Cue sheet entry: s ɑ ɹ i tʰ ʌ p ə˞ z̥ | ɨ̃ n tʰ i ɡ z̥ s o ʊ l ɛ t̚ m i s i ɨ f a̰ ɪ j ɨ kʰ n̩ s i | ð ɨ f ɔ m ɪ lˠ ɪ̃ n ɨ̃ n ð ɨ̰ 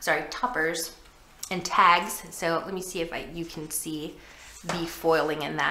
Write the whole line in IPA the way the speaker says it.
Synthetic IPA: s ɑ ɹ i tʰ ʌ p ə˞ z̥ | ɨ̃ n tʰ æ ɡ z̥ s o ʊ l ɛ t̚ m i s i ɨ f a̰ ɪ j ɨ kʰ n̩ s i | ð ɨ f ɔ ɪ lˠ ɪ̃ ŋ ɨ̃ n ð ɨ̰